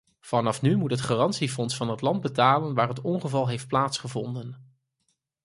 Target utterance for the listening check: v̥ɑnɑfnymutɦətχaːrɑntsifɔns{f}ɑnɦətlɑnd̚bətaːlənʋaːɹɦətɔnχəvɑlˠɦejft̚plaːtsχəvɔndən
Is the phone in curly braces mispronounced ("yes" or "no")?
no